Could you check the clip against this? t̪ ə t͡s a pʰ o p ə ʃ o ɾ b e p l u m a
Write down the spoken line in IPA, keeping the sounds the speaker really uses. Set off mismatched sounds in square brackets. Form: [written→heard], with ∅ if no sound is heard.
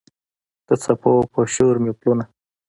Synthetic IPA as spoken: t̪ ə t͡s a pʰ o p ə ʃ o ɾ [b→m] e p l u [m→n] a